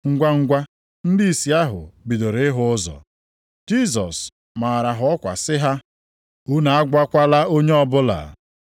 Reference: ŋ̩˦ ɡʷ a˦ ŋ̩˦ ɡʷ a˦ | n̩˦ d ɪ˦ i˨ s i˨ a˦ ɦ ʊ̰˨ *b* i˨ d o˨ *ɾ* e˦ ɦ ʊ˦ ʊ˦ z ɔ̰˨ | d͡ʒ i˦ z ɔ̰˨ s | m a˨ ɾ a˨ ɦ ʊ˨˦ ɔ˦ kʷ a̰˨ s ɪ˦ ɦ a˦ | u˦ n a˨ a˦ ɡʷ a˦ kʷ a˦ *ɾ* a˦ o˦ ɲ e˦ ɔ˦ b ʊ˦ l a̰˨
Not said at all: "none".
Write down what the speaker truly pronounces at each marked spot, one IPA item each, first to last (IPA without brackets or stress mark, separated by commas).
b, ɾ, l